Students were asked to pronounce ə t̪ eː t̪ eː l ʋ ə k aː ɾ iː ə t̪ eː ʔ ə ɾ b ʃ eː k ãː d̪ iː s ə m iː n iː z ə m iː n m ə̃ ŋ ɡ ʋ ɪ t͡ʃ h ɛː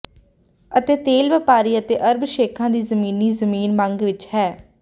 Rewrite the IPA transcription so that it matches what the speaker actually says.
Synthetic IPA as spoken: ə t̪ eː t̪ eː l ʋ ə p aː ɾ iː ə t̪ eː ʔ ə ɾ b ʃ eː kʰ ãː d̪ iː z ə m iː n iː z ə m iː n m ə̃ ŋ ɡ ʋ ɪ t͡ʃ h ɛː